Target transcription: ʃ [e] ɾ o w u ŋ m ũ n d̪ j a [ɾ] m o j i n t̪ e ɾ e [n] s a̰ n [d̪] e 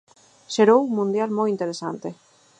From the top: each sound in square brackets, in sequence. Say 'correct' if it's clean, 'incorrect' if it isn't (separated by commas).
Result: correct, incorrect, incorrect, incorrect